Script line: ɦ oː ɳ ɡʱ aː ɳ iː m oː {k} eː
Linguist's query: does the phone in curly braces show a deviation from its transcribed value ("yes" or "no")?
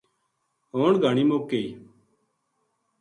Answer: no